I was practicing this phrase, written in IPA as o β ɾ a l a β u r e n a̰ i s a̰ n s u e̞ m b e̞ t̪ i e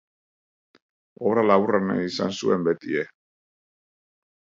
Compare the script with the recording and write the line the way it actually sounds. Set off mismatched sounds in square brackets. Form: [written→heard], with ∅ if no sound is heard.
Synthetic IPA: o β ɾ a l a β u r [e→a] n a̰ i s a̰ n s u e̞ m b e̞ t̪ i e